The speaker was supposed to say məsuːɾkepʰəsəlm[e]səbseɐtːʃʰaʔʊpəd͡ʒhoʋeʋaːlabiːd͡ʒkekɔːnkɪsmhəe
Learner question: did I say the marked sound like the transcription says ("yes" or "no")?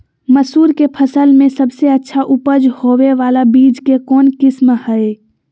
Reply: no